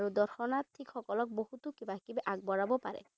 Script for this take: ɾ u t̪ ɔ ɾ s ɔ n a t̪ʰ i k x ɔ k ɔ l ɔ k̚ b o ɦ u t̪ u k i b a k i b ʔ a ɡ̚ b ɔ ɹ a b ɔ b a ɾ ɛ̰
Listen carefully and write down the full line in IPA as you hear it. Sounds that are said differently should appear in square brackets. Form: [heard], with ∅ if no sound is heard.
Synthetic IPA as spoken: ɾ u [d̪] ɔ ɾ [x] ɔ n a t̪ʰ i k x ɔ k ɔ l ɔ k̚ b o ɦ u t̪ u k i b a k i b ʔ a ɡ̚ b ɔ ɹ a b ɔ [p] a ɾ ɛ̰